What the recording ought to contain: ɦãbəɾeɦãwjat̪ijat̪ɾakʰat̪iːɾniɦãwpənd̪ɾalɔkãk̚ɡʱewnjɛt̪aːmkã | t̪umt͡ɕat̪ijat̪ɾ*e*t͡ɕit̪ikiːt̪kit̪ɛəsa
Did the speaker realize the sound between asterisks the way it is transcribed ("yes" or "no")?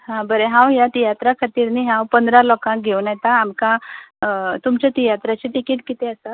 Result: no